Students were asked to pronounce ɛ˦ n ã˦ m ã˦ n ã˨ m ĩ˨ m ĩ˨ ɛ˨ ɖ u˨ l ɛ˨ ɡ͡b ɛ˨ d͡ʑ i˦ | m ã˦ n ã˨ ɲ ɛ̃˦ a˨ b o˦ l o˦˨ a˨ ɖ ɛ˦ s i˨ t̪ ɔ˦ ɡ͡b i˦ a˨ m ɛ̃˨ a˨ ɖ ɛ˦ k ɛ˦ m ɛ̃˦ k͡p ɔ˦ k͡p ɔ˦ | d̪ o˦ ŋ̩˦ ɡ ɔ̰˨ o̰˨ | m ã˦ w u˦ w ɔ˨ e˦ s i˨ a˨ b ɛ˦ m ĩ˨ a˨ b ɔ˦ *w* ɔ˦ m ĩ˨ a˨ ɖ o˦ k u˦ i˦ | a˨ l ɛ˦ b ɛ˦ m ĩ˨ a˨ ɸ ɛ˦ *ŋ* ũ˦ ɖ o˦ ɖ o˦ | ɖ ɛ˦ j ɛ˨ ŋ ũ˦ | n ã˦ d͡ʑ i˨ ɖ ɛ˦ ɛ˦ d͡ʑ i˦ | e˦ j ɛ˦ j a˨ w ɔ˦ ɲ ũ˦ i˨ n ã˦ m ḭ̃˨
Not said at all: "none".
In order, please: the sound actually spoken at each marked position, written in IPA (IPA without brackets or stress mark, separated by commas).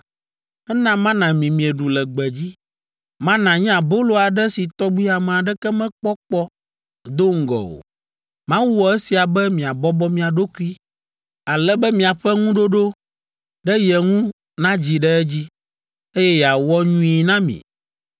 b, ŋ